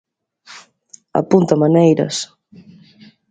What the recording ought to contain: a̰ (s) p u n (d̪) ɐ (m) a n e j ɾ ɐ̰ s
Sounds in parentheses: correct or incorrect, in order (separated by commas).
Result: incorrect, incorrect, correct